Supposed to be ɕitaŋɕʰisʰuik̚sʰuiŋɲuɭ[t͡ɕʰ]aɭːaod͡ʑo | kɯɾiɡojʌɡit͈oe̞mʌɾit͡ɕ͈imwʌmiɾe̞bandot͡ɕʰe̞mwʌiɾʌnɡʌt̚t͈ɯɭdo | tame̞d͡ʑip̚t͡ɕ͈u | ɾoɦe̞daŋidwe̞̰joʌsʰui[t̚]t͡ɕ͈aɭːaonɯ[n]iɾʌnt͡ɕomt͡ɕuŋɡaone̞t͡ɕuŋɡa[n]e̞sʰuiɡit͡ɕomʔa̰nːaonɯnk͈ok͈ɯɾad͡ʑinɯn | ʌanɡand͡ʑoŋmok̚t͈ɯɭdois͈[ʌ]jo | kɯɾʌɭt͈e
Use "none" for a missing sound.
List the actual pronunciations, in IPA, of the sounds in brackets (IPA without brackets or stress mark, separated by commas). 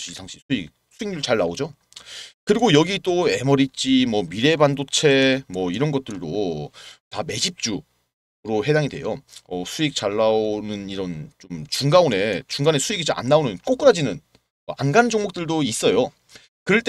t͡ɕ, k̚, n, n, ʌ